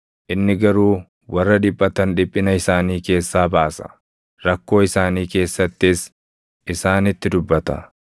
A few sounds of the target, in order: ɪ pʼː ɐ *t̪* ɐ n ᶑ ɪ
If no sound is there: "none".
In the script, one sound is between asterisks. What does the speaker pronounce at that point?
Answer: t̪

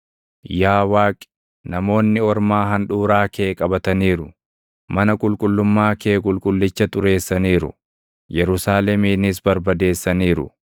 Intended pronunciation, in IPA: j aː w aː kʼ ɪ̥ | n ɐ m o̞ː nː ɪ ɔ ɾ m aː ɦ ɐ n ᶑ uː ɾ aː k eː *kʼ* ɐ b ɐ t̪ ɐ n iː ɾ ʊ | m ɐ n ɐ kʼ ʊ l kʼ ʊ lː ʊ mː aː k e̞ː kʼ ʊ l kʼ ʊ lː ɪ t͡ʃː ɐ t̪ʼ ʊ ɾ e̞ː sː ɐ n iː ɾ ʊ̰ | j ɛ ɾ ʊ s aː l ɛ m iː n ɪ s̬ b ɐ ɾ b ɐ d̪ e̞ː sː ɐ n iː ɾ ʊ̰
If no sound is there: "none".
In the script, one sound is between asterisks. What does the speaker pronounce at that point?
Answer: kʼ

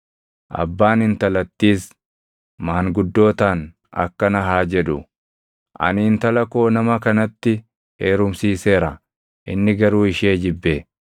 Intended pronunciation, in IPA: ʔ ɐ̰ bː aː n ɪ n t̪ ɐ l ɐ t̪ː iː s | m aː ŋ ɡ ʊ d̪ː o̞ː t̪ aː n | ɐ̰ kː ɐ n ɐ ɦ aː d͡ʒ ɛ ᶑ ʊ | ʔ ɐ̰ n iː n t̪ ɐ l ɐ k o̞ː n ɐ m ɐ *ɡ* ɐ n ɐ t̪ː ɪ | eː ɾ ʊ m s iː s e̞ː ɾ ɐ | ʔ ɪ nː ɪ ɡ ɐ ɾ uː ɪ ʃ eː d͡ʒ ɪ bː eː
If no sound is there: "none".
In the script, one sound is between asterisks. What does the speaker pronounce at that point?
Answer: k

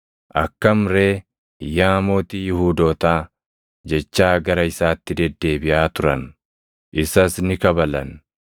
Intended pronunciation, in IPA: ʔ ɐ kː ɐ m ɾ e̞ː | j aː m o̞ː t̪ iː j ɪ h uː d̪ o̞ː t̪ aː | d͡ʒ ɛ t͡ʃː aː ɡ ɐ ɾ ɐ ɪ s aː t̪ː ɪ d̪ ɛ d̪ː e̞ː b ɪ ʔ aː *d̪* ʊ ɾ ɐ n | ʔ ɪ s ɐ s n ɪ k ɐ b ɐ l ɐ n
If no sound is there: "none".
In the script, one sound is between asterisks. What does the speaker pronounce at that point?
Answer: t̪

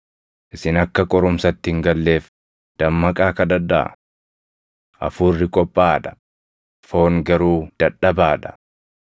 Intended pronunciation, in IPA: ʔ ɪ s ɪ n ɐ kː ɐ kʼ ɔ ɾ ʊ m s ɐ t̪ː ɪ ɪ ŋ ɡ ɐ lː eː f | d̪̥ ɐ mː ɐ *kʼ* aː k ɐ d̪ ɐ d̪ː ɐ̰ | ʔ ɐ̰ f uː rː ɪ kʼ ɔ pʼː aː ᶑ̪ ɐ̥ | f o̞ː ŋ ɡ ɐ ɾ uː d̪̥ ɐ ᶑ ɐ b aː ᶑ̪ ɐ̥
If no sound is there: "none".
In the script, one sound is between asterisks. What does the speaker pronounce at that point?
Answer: kʼ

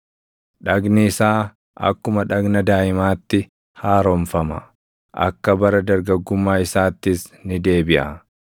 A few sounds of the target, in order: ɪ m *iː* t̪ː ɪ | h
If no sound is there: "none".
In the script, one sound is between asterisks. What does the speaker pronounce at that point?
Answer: aː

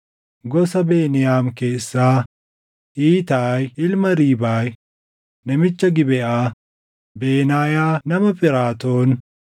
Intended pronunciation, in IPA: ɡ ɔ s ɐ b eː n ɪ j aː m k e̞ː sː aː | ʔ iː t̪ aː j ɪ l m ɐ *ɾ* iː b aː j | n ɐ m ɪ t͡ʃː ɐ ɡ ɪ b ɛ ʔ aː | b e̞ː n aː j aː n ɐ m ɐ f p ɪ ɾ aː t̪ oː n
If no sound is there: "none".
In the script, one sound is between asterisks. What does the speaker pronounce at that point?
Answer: ɾ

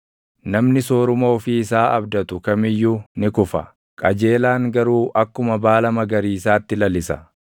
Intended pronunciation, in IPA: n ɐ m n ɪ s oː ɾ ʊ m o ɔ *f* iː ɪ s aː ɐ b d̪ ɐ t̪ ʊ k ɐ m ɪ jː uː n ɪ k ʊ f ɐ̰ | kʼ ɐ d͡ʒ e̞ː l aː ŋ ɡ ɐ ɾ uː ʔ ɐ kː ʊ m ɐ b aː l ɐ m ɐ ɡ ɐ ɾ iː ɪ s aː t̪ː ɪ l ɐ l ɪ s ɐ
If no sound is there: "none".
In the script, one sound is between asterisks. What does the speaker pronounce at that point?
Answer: f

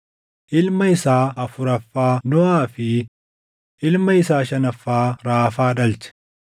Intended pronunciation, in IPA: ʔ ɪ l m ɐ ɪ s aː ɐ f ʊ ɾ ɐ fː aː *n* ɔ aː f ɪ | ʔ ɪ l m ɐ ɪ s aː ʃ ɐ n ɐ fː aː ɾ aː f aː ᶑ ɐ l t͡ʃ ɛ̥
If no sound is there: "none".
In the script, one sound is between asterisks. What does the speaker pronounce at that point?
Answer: n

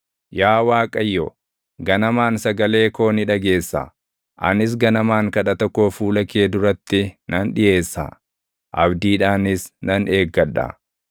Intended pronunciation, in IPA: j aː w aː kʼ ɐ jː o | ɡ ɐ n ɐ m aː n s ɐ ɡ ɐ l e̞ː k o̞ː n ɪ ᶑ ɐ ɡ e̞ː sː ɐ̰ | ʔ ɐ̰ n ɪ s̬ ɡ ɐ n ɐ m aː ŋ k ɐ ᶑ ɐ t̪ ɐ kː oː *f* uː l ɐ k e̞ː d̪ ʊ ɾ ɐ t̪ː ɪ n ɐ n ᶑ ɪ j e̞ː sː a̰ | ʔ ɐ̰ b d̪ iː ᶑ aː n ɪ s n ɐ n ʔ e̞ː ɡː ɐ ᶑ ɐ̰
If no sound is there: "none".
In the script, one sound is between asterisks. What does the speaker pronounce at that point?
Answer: f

